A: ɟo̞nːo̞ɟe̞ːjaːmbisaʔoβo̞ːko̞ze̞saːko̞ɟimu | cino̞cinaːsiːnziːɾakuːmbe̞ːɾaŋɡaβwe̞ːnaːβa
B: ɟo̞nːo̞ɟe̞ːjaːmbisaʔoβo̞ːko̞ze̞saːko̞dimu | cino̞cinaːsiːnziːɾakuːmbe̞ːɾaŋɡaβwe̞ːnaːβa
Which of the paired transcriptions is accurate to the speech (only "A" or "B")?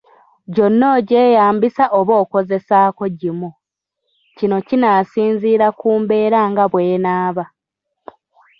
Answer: A